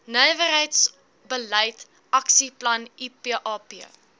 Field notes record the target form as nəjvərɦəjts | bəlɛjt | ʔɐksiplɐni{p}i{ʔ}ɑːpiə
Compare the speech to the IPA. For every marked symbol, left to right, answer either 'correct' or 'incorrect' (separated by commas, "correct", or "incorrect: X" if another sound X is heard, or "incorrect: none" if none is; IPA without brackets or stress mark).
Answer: correct, correct